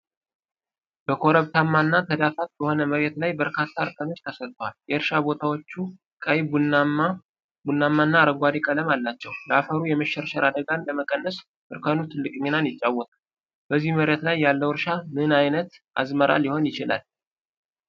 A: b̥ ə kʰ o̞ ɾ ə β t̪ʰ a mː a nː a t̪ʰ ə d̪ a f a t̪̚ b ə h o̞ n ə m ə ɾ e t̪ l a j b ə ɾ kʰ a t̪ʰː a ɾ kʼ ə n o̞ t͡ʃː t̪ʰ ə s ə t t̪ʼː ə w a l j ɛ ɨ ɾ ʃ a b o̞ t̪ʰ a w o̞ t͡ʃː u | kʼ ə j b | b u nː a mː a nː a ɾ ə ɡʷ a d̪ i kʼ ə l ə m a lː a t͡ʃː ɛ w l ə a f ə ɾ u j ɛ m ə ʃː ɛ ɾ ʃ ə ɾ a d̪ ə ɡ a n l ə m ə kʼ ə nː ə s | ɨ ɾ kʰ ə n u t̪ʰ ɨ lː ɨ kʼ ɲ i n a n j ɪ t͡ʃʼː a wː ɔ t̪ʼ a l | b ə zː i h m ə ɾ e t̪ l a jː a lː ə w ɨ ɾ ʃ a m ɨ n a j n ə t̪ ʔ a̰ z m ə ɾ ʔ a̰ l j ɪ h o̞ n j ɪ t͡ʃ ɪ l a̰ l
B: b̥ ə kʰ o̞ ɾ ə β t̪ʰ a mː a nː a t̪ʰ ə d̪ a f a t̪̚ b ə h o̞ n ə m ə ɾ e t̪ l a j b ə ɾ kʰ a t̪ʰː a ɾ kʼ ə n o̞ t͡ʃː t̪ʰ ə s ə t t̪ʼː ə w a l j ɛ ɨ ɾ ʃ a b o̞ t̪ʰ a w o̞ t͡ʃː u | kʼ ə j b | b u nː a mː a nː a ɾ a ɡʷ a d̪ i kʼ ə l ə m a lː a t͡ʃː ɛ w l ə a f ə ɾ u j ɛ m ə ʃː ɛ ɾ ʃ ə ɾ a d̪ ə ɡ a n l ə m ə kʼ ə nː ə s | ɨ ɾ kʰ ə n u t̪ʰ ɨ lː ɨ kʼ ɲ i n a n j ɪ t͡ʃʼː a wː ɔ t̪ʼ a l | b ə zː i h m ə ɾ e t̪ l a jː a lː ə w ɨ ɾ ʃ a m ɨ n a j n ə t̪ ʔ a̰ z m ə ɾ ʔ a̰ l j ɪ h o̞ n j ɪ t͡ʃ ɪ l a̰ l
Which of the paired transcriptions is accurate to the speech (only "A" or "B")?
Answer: A